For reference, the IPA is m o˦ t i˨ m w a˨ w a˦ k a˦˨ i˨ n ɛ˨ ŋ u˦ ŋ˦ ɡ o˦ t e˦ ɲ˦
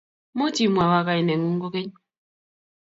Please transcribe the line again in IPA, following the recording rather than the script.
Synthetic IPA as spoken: m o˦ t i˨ m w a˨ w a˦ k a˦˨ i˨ n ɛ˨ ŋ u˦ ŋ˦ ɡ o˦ k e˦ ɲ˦